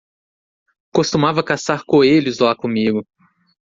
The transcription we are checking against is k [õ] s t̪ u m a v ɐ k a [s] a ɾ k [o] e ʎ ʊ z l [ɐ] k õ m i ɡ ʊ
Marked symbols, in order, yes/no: no, yes, yes, no

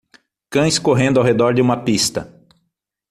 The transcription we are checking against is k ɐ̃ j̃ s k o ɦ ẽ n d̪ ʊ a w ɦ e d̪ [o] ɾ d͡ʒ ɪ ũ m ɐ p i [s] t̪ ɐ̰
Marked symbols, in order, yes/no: no, yes

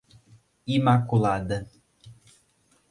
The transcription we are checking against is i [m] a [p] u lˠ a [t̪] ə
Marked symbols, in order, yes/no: yes, no, no

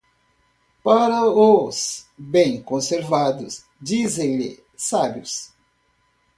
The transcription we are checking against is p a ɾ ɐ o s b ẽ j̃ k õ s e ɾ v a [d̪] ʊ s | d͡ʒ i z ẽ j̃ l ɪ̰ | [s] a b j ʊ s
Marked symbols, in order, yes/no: yes, yes

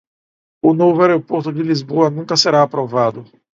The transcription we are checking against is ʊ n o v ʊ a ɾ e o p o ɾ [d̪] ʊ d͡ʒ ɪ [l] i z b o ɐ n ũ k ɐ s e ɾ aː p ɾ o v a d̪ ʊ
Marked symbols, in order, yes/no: no, yes

